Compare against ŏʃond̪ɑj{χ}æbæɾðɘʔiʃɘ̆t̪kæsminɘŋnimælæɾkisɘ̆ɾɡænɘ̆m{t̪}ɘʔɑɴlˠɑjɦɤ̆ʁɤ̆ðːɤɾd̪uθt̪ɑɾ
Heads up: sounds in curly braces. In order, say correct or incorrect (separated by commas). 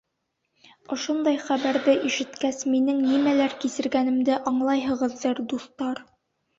correct, incorrect